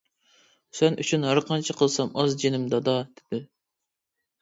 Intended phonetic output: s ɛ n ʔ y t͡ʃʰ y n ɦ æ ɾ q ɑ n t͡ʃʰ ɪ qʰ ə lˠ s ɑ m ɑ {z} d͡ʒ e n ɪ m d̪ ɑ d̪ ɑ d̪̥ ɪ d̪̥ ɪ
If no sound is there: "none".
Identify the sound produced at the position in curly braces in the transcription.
z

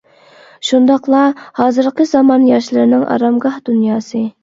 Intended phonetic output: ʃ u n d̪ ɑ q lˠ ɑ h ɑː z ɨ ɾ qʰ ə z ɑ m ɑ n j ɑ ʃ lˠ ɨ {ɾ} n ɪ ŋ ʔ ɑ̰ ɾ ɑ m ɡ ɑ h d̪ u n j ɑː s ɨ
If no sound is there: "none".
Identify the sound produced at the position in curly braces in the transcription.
ɾ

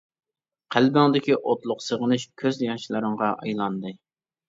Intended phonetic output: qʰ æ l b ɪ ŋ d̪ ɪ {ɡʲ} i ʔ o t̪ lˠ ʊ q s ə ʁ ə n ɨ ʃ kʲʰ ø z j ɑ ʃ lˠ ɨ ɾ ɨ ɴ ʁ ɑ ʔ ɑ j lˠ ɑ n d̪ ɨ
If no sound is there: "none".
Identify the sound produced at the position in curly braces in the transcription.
kʲ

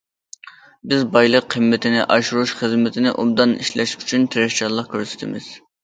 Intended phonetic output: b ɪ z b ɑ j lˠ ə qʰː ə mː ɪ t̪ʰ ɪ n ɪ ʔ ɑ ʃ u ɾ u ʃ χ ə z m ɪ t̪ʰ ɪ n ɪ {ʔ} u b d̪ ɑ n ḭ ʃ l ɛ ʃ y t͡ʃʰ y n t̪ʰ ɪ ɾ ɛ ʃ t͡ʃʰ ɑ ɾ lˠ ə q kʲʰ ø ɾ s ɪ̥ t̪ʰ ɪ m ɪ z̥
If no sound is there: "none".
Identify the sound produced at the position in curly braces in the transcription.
ʔ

